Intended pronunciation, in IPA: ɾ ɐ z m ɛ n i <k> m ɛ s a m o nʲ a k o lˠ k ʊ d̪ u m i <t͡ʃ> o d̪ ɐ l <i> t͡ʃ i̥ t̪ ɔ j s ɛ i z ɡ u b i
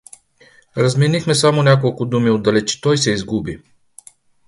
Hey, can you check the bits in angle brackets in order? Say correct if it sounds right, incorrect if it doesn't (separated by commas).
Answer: incorrect, incorrect, incorrect